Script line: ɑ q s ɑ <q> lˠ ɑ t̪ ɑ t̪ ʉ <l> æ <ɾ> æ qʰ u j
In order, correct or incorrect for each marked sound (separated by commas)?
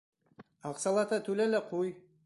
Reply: incorrect, correct, incorrect